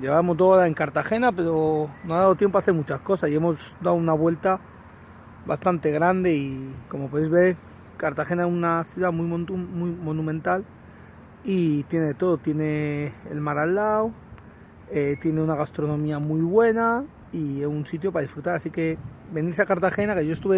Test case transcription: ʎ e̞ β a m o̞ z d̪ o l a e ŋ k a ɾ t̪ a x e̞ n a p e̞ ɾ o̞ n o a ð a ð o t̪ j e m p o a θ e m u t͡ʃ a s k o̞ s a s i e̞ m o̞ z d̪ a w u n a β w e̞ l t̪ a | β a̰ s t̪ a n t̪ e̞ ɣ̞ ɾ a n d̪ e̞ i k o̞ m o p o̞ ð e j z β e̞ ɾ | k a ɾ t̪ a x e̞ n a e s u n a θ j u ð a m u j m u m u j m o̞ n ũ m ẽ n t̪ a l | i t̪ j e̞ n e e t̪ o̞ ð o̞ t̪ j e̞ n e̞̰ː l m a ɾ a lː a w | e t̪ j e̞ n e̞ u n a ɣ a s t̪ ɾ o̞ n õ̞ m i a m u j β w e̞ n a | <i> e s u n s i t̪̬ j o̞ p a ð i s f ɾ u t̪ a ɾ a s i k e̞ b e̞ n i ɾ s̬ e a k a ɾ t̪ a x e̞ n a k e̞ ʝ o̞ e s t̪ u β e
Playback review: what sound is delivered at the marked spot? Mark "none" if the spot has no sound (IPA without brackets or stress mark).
i